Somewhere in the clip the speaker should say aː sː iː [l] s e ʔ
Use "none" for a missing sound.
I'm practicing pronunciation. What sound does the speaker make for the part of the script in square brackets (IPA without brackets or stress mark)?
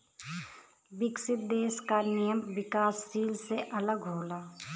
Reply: l